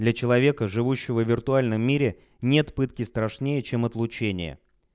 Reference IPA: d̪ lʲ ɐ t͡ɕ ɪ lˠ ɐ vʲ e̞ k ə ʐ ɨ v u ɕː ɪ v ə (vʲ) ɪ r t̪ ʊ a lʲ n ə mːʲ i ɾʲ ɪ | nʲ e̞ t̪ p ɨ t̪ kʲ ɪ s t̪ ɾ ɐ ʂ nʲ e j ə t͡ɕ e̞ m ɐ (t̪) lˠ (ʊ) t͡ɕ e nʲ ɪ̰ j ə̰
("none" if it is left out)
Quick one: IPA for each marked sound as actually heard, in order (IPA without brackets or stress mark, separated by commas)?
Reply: vʲ, t̪, ʊ